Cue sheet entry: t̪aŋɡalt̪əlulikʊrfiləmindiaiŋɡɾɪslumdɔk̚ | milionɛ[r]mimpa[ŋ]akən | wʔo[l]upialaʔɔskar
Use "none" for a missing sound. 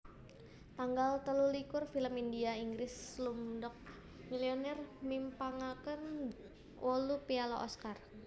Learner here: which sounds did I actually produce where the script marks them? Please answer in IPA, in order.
r, ŋ, l

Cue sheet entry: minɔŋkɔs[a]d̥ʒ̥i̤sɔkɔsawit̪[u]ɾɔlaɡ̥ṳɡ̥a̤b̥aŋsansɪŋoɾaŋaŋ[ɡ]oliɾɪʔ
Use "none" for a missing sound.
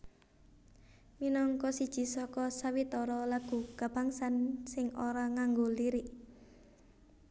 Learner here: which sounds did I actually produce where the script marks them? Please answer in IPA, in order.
i, ɔ, ɡ

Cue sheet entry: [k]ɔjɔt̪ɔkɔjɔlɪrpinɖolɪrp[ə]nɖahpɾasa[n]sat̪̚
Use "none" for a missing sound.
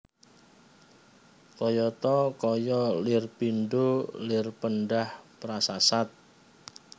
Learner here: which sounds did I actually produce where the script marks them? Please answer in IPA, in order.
k, ə, none

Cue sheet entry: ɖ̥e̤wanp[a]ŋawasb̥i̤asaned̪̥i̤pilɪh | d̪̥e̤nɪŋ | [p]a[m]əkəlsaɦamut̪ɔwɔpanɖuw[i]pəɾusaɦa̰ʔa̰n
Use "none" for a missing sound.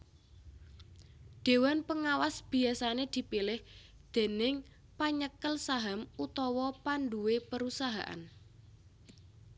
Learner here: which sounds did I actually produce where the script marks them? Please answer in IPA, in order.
ə, p, ɲ, e

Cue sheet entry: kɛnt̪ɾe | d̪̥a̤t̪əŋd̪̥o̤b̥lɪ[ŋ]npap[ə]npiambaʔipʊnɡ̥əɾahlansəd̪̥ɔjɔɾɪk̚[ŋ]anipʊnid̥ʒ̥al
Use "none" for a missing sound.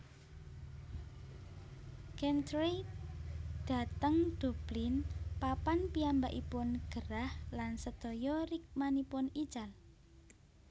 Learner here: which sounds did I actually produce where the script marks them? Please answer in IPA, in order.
none, a, m

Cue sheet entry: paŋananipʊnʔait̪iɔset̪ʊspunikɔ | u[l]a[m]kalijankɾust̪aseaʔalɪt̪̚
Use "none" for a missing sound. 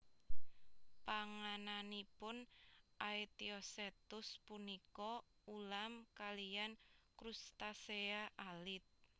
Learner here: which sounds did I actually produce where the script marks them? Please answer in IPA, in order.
l, m

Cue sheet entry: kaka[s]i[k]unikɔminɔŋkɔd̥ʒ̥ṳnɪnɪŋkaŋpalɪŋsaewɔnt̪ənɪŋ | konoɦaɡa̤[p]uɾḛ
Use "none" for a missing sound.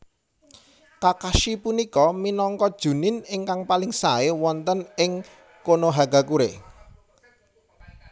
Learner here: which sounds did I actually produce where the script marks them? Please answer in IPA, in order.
ʃ, p, k

